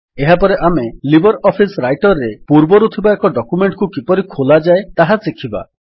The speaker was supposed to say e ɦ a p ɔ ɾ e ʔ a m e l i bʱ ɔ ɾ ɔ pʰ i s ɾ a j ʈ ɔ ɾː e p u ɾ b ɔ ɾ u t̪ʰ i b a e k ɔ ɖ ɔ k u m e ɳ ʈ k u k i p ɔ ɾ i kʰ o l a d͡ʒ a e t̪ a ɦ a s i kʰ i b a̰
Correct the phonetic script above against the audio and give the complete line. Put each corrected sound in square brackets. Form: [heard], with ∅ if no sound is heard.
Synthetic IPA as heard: e ɦ a p ɔ ɾ e ʔ a m e l i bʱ ɔ ɾ ɔ pʰ i s ɾ a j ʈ ɔ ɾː e p u ɾ b ɔ ɾ u t̪ʰ i b a e k ɔ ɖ ɔ k u m e ɳ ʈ k u k i p ɔ ɾ i kʰ o l a d͡ʒ a e t̪ a ɦ a s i kʰ i b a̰